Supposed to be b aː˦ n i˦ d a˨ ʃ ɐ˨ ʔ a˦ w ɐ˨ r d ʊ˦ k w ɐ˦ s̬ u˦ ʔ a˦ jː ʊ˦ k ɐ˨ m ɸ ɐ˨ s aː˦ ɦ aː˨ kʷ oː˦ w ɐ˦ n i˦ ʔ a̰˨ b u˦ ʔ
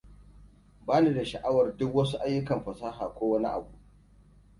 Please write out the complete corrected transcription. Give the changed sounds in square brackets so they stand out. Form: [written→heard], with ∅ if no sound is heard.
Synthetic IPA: b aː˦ n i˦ d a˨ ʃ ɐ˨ ʔ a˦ w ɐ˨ r d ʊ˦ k w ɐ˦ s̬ u˦ ʔ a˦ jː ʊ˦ k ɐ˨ m ɸ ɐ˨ s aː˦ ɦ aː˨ kʷ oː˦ w ɐ˦ n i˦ ʔ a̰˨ b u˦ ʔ

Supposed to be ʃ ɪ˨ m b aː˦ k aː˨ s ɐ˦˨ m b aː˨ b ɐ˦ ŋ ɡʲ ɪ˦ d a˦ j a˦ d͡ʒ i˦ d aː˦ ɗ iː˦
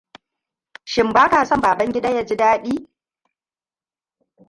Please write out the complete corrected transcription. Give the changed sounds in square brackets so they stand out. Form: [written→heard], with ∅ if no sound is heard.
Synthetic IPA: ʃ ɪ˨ m b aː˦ k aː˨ s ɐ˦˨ m b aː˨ b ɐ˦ ŋ ɡʲ ɪ˦ d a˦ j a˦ d͡ʒ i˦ d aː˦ ɗ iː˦

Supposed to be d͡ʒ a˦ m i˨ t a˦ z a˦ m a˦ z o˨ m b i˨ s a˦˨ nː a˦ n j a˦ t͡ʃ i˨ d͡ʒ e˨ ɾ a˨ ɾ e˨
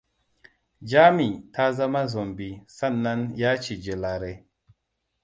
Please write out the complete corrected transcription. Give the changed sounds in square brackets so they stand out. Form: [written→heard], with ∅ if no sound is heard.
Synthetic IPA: d͡ʒ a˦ m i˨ t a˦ z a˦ m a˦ z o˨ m b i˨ s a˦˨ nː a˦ n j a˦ t͡ʃ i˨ d͡ʒ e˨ [ɾ→l] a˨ ɾ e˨

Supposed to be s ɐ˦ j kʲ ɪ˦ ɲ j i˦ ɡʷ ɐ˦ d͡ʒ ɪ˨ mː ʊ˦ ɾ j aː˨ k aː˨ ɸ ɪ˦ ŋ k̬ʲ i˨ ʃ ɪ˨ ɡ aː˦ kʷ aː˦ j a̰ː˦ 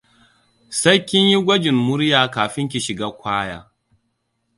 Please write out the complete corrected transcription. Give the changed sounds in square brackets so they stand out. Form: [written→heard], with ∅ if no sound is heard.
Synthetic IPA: s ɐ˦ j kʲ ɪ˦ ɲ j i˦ ɡʷ ɐ˦ d͡ʒ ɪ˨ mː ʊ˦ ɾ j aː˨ k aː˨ ɸ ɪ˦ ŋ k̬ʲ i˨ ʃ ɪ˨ ɡ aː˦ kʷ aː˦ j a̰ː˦

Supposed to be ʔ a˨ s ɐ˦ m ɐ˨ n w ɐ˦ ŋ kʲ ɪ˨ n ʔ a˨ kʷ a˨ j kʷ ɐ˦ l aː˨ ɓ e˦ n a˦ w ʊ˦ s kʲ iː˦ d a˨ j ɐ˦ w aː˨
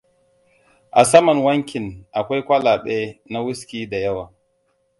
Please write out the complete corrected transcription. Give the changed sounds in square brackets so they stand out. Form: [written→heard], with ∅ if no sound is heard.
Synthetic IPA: ʔ a˨ s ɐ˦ m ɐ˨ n w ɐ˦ ŋ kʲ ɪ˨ n ʔ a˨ kʷ [a˨→a˦] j kʷ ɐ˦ l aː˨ ɓ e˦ n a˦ w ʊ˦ s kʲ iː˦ d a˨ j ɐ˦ w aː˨

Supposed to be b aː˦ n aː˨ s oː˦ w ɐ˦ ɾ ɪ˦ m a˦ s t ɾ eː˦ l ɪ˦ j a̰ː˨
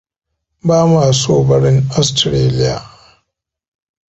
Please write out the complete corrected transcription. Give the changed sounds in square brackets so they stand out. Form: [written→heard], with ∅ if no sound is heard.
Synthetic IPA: b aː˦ [n→m] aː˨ s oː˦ [w→b] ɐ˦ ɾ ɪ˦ [m→ŋ] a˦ s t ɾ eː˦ l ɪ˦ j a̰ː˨

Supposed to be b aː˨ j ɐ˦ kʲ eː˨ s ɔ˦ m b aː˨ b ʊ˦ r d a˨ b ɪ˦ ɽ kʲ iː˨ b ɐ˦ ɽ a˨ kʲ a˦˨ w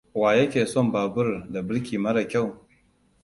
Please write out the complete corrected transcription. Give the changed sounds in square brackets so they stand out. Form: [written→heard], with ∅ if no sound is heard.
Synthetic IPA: [b→w] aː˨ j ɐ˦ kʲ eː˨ s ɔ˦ m b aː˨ b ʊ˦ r d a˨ b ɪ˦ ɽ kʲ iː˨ [b→m] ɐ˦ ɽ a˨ kʲ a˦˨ w

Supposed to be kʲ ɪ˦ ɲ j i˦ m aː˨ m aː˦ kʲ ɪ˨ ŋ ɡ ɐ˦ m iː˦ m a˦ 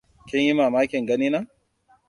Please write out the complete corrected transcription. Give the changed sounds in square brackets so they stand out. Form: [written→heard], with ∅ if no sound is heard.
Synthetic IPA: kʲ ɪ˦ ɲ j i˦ m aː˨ m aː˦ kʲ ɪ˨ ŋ ɡ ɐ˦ [m→n] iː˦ [m→n] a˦

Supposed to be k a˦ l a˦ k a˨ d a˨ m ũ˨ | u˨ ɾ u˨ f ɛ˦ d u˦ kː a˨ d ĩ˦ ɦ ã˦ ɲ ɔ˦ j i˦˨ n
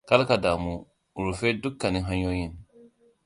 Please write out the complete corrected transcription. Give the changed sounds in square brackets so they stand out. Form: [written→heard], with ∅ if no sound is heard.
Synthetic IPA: k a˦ l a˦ k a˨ d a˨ m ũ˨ | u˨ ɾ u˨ f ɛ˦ d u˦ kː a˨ [d→n] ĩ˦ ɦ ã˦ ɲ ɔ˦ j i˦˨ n

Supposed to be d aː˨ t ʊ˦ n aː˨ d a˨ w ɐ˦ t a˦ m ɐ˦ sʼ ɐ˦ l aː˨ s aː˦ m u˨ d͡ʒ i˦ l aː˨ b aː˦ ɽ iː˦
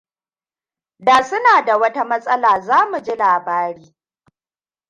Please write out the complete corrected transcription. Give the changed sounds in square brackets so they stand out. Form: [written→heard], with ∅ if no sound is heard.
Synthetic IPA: d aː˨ [t→s] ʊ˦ n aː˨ d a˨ w ɐ˦ t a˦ m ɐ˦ sʼ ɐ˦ l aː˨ [s→z] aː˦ m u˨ d͡ʒ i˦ l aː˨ b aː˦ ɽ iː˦

